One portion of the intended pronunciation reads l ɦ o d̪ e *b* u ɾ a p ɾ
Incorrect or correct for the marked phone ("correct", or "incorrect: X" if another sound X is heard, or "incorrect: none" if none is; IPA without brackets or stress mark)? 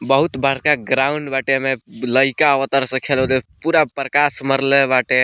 incorrect: p